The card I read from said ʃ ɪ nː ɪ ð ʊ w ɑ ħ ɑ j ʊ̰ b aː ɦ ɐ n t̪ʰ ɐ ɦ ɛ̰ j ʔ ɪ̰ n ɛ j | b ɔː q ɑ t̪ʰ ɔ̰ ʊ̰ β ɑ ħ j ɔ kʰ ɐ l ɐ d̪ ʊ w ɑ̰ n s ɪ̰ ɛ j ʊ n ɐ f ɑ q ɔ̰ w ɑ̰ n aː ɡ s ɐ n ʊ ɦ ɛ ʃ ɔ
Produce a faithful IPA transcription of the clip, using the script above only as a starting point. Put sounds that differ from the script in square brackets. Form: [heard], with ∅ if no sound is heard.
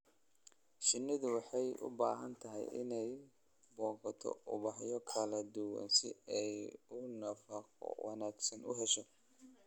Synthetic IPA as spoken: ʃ ɪ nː ɪ ð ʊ w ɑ ħ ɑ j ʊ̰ b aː ɦ ɐ n t̪ʰ ɐ ɦ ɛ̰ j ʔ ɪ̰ n ɛ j | b ɔː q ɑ t̪ʰ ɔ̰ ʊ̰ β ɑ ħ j ɔ kʰ ɐ l ɐ d̪ ʊ w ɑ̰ n s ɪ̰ ɛ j ʊ n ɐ f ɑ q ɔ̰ w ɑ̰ n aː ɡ s ɐ n ʊ ɦ ɛ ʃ ɔ